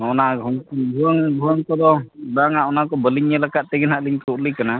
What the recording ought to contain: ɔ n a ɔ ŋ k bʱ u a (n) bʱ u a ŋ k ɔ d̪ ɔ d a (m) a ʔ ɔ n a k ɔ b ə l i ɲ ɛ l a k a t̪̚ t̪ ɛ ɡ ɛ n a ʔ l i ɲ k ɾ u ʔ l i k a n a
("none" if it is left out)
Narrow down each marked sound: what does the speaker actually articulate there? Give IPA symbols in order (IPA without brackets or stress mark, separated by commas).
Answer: ŋ, ŋ